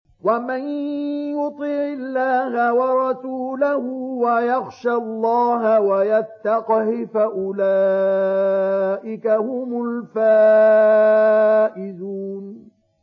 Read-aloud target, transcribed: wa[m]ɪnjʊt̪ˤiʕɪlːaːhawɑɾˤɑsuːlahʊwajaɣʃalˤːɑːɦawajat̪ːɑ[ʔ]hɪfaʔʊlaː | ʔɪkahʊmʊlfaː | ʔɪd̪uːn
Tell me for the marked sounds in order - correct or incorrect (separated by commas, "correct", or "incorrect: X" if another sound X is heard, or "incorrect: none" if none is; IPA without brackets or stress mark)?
correct, incorrect: q